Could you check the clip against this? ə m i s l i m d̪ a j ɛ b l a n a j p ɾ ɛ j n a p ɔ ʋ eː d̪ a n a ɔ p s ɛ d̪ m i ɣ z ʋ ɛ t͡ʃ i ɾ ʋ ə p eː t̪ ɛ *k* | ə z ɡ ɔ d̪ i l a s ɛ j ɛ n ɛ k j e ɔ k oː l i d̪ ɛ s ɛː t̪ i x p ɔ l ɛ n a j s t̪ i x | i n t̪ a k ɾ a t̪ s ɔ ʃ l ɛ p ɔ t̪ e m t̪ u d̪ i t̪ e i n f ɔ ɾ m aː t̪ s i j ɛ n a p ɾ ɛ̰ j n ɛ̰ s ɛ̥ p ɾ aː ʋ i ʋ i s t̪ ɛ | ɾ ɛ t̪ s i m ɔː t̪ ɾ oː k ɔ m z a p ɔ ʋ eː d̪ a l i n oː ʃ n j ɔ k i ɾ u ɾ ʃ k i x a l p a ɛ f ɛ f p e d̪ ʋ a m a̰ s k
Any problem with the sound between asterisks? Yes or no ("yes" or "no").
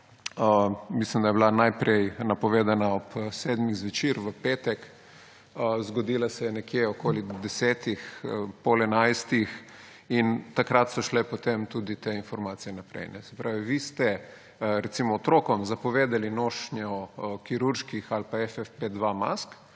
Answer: no